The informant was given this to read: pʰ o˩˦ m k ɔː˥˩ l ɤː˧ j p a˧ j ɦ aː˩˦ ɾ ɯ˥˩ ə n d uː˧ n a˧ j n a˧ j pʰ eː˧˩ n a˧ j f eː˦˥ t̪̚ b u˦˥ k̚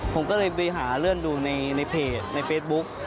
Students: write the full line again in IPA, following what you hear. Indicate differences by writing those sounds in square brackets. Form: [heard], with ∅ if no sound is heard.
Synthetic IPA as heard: pʰ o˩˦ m k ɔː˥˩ l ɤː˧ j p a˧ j ɦ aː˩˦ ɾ ɯ˥˩ ə n d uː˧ n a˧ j n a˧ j pʰ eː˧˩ n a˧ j f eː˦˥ t̪̚ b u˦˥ k̚